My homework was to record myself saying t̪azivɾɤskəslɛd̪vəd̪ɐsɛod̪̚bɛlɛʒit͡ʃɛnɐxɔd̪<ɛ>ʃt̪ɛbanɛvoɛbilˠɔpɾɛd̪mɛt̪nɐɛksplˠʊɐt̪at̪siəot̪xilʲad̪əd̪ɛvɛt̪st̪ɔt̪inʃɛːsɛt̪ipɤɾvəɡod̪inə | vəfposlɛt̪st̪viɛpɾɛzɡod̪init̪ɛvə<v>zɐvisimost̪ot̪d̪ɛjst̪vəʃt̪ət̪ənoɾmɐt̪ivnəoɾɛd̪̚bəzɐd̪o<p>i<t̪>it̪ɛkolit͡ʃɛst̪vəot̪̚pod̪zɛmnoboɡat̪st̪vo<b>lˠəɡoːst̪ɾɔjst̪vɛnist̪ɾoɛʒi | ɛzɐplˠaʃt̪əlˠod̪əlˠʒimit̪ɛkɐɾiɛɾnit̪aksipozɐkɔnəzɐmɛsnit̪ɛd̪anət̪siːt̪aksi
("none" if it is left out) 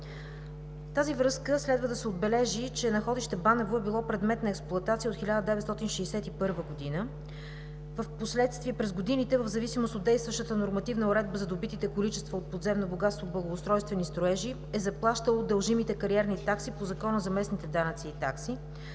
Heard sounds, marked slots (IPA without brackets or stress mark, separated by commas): i, v, b, t̪, b